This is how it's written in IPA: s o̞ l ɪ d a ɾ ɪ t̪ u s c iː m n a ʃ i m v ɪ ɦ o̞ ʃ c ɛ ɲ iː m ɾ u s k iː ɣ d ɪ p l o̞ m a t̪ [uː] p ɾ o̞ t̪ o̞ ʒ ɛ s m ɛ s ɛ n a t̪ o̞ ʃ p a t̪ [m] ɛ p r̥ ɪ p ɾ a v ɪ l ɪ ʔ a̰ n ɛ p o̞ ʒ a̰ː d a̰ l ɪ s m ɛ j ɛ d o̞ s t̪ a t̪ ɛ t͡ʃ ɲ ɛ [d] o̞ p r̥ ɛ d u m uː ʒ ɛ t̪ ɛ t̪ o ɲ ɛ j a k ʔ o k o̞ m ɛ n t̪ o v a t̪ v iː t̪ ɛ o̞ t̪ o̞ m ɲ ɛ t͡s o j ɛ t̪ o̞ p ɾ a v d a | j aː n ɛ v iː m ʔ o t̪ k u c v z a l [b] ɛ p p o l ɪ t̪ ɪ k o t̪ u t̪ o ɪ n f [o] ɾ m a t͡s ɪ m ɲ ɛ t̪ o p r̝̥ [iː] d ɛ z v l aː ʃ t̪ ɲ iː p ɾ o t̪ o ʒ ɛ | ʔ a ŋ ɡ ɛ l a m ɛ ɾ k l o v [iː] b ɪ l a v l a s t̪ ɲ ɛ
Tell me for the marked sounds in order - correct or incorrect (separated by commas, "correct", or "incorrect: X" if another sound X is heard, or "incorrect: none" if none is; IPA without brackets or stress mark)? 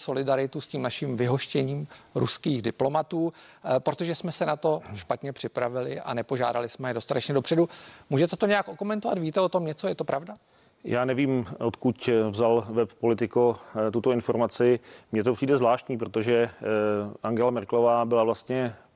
correct, incorrect: ɲ, correct, incorrect: v, correct, correct, incorrect: aː